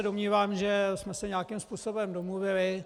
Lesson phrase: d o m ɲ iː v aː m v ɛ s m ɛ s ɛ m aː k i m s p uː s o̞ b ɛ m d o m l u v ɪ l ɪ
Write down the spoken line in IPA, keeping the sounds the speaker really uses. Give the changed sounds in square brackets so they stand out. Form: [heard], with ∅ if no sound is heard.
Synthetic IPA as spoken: d o m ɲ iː v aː m [ʒ] ɛ s m ɛ s ɛ [ɲ] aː k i m s p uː s o̞ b ɛ m d o m l u v ɪ l ɪ

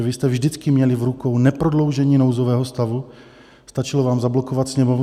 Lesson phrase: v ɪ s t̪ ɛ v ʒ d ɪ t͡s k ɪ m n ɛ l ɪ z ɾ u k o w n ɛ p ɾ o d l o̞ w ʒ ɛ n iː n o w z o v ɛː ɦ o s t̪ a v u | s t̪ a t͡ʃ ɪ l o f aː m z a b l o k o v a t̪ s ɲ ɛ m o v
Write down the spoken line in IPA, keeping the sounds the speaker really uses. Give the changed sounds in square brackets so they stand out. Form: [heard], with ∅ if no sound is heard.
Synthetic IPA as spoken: v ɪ s t̪ ɛ v ʒ d ɪ t͡s k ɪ m [ɲ] ɛ l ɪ [v] ɾ u k o w n ɛ p ɾ o d l o̞ w ʒ ɛ [ɲ] iː n o w z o v ɛː ɦ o s t̪ a v u | s t̪ a t͡ʃ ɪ l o [v] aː m z a b l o k o v a t̪ s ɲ ɛ m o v

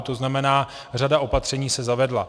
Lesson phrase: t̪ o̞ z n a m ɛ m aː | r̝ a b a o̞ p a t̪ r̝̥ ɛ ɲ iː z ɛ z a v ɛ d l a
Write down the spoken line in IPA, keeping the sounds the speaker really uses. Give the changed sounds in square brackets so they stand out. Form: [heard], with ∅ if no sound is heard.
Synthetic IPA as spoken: t̪ o̞ z n a m ɛ [n] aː | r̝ a [d] a o̞ p a t̪ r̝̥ ɛ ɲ iː [s] ɛ z a v ɛ d l a

